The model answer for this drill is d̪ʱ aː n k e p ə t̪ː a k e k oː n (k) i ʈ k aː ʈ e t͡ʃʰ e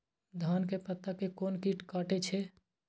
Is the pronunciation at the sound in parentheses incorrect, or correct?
correct